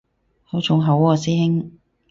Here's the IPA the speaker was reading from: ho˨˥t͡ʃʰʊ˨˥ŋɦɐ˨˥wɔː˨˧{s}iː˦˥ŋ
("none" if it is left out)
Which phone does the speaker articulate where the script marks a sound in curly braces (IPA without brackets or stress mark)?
s